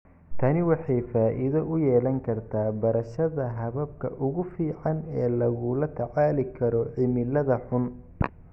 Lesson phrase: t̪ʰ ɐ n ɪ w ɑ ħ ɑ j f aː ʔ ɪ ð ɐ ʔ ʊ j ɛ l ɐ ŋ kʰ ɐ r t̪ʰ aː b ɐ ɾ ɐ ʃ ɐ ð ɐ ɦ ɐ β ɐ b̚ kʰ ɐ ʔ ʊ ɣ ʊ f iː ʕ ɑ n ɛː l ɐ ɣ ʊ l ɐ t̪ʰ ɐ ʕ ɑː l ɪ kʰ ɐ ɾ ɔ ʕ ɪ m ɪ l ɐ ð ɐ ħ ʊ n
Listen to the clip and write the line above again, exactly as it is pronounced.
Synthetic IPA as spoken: t̪ʰ ɐ n ɪ w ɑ ħ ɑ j f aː ʔ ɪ ð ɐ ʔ ʊ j ɛː l ɐ ŋ kʰ ɐ r t̪ʰ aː b ɐ ɾ ɐ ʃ ɐ ð ɐ ɦ ɐ β ɐ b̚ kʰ ɐ ʔ ʊ ɣ ʊ f iː ʕ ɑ n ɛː l ɐ ɣ ʊ l ɐ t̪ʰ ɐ ʕ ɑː l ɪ kʰ ɐ ɾ ɔ ʕ ɪ m ɪ l ɐ ð ɐ ħ ʊ n